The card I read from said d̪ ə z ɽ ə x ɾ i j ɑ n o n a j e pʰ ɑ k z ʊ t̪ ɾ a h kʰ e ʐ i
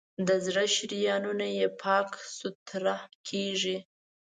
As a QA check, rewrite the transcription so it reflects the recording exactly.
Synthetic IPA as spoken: d̪ ə z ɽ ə ʃ ɾ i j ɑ n u n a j e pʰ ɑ k s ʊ t̪ ɾ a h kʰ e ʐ i